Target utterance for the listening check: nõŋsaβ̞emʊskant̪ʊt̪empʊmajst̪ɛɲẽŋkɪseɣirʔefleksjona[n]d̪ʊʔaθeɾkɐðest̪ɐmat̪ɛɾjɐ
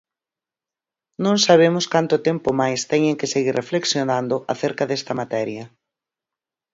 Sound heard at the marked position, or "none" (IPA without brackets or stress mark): n